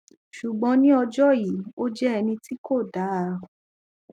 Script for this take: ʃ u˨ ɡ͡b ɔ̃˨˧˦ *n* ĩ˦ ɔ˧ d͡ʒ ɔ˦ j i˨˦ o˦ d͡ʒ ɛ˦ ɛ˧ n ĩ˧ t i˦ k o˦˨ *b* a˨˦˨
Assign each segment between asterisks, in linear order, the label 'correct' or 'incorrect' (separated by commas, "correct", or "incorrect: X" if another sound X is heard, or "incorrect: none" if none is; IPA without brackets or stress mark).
correct, incorrect: d